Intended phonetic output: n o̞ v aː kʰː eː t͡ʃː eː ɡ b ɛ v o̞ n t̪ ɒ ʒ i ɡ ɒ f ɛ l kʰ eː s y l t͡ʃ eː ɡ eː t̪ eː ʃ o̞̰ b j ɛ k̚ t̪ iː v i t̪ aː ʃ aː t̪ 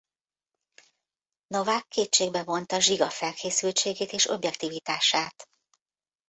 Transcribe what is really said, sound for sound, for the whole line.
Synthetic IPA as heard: n o̞ v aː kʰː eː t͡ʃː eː ɡ b ɛ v o̞ n t̪ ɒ ʒ i ɡ ɒ f ɛ l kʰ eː s y l t͡ʃ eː ɡ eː t̪ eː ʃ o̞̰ b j ɛ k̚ t̪ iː v i t̪ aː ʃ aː t̪